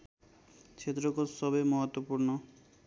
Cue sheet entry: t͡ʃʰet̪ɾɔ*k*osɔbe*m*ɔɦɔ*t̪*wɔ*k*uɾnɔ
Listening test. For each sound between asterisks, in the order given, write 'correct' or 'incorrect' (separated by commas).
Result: correct, correct, correct, incorrect